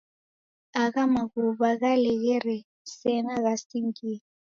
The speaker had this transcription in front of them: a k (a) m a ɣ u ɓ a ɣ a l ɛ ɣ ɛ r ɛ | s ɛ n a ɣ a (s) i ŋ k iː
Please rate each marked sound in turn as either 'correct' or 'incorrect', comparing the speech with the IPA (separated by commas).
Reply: correct, correct